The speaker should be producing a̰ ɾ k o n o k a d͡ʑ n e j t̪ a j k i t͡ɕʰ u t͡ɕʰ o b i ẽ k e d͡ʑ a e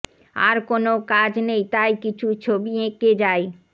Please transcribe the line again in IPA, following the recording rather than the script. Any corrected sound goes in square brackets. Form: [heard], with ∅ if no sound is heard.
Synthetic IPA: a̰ ɾ k o n o k a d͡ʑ n e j t̪ a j k i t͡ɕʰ u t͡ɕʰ o b i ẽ k e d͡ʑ a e